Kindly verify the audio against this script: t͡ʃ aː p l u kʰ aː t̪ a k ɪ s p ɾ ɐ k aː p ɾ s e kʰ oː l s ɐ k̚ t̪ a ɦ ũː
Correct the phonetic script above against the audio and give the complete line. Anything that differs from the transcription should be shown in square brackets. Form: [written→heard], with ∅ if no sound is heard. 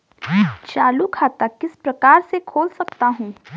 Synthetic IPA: t͡ʃ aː [p→∅] l u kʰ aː t̪ a k ɪ s p ɾ ɐ k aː [p→∅] ɾ s e kʰ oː l s ɐ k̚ t̪ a ɦ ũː